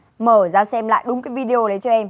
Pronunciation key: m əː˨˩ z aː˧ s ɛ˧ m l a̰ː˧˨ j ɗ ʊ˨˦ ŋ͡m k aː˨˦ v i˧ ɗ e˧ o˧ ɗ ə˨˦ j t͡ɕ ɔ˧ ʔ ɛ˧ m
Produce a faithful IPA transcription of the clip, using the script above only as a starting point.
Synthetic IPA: m əː˨˩ z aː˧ s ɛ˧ m l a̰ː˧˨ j ɗ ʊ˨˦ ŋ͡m k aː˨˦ v i˧ ɗ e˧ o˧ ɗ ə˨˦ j t͡ɕ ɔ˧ ʔ ɛ˧ m